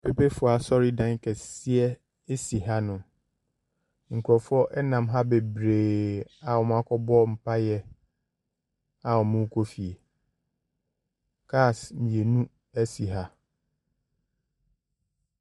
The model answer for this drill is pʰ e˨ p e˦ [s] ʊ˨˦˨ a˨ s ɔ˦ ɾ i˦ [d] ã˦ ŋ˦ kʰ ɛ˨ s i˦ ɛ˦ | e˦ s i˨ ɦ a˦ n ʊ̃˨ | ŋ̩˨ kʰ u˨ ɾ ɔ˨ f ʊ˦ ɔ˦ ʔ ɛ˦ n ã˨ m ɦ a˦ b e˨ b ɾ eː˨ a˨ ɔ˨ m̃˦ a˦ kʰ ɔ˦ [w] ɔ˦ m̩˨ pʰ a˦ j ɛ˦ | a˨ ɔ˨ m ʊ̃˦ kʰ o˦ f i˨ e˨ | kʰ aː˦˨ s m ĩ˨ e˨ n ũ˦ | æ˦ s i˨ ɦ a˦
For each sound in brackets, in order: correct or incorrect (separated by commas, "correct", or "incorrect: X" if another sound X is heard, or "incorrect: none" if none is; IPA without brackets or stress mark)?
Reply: incorrect: f, correct, incorrect: b